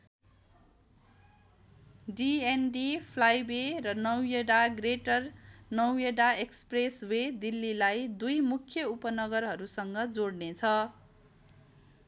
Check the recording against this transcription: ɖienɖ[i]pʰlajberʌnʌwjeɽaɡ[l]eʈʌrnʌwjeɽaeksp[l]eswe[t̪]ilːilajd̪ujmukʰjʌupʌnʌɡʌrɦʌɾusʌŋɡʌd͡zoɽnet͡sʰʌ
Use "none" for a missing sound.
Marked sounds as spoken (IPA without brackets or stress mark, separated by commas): i, r, r, d̪